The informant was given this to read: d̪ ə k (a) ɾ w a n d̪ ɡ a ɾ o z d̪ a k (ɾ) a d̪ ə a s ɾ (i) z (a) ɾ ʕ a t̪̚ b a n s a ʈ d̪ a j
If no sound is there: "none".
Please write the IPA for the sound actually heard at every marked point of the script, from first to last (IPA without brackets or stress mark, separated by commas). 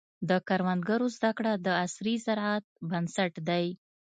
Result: a, ɽ, i, a